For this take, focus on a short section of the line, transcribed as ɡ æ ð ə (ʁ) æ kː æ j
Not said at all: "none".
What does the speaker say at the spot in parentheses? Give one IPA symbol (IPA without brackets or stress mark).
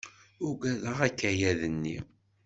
ʁ